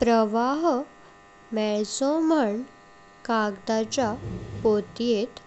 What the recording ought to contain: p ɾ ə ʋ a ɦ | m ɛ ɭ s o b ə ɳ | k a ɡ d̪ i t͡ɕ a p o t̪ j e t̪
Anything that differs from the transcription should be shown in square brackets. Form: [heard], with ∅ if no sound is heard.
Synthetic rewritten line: p ɾ ə ʋ a ɦ | m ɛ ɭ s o [m] ə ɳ | k a ɡ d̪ [a] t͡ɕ a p o t̪ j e t̪